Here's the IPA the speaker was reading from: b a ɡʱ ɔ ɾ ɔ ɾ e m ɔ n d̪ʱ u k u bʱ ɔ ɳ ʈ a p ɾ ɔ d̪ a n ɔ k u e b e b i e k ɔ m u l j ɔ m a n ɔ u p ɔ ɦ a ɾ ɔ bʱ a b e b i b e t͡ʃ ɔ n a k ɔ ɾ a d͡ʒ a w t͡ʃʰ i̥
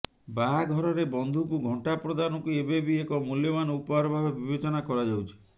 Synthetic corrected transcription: b a ɡʱ ɔ ɾ ɔ ɾ e b ɔ n d̪ʱ u k u ɡʱ ɔ ɳ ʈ a p ɾ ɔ d̪ a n ɔ k u e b e b i e k ɔ m u l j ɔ m a n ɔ u p ɔ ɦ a ɾ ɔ bʱ a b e b i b e t͡ʃ ɔ n a k ɔ ɾ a d͡ʒ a w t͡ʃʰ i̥